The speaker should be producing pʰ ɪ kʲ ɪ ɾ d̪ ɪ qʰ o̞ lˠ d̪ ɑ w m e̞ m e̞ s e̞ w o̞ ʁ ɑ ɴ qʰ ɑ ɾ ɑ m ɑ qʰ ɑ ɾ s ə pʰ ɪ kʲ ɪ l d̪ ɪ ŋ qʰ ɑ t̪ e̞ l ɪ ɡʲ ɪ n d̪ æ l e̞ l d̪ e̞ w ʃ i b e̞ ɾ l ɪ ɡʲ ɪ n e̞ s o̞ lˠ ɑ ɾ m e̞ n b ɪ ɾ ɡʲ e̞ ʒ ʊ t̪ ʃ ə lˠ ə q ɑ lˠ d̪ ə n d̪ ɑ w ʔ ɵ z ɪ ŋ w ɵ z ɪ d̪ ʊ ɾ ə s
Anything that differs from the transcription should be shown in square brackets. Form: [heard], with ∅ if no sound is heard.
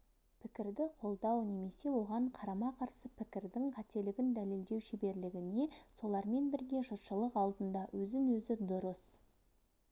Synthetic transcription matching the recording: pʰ ɪ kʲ ɪ ɾ d̪ ɪ qʰ o̞ lˠ d̪ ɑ w [n] e̞ m e̞ s e̞ w o̞ ʁ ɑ ɴ qʰ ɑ ɾ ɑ m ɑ qʰ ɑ ɾ s ə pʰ ɪ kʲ ɪ [ɾ] d̪ ɪ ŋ qʰ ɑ t̪ e̞ l ɪ ɡʲ ɪ n d̪ æ l e̞ l d̪ e̞ w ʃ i b e̞ ɾ l ɪ ɡʲ ɪ n e̞ s o̞ lˠ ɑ ɾ m e̞ n b ɪ ɾ ɡʲ e̞ ʒ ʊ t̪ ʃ ə lˠ ə q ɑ lˠ d̪ ə n d̪ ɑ w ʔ ɵ z ɪ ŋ w ɵ z ɪ d̪ ʊ ɾ ə s